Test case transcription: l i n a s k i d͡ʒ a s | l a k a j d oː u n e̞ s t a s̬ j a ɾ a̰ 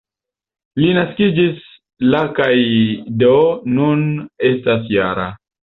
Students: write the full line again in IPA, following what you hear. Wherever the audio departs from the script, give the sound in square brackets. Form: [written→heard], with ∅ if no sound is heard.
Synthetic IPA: l i n a s k i d͡ʒ [a→i] s | l a k a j d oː u n e̞ s t a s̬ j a ɾ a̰